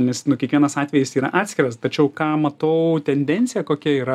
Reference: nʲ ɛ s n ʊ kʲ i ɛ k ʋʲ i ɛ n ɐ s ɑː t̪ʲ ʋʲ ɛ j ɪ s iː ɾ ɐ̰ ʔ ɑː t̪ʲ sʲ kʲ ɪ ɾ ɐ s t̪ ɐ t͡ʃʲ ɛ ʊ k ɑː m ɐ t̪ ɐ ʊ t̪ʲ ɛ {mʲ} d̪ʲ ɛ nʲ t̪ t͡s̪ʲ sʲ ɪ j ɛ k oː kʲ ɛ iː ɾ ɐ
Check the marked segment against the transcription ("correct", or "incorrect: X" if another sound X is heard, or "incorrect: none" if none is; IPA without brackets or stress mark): incorrect: nʲ